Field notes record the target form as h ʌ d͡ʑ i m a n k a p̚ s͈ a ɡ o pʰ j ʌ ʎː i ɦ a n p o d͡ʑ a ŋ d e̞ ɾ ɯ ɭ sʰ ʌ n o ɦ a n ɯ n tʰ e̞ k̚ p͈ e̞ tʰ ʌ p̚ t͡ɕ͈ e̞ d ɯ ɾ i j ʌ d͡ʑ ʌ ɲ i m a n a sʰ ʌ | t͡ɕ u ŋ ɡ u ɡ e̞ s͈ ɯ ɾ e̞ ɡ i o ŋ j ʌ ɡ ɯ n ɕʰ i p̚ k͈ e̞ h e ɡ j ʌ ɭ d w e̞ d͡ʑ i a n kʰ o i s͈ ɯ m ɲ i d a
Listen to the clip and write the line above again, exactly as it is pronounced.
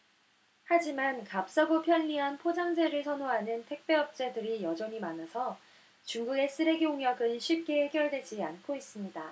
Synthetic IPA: h a d͡ʑ i m a n k a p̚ s͈ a ɡ o pʰ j ʌ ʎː i ɦ a n pʰ o d͡ʑ a ŋ d͡ʑ e̞ ɾ ɯ ɭ sʰ ʌ n o ɦ a n ɯ n tʰ e̞ k̚ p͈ e̞ ʌ p̚ t͡ɕ͈ e̞ d ɯ ɾ i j ʌ d͡ʑ ʌ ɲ i m a n a sʰ ʌ | t͡ɕ u ŋ ɡ u ɡ e̞ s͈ ɯ ɾ e̞ ɡ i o ŋ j ʌ ɡ ɯ n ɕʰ i p̚ k͈ e̞ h e ɡ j ʌ ɭ d w e̞ d͡ʑ i a n kʰ o i s͈ ɯ m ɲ i d a